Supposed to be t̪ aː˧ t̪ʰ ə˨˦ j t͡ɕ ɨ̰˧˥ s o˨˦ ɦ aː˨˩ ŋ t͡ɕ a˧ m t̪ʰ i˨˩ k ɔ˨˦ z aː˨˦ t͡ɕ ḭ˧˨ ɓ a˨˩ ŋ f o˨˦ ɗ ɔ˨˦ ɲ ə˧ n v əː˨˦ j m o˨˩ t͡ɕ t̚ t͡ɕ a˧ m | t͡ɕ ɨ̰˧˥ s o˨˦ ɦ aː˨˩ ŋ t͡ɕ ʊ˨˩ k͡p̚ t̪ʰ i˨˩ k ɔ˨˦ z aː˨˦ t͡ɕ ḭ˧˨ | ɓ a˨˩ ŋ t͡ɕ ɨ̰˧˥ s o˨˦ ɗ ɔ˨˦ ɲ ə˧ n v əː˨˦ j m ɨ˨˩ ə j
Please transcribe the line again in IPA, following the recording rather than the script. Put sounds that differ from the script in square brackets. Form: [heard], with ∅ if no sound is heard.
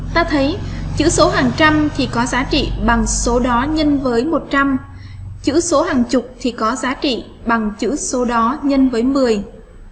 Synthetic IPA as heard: t̪ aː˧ t̪ʰ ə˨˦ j t͡ɕ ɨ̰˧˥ s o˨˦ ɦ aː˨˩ ŋ t͡ɕ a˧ m t̪ʰ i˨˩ k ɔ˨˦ z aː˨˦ t͡ɕ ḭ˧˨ ɓ a˨˩ ŋ [s] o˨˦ ɗ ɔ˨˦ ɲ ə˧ n v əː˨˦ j m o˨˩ [∅] t̚ t͡ɕ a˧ m | t͡ɕ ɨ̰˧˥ s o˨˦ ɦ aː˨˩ ŋ t͡ɕ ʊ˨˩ k͡p̚ t̪ʰ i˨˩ k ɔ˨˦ z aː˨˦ t͡ɕ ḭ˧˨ | ɓ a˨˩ ŋ t͡ɕ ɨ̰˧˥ s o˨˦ ɗ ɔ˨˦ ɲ ə˧ n v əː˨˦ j m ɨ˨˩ ə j